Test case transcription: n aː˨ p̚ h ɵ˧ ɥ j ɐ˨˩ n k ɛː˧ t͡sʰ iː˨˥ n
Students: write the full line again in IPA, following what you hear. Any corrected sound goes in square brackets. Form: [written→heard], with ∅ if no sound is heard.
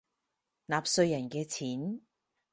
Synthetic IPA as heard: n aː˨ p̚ [h→s] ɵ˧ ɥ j ɐ˨˩ n k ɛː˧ t͡sʰ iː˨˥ n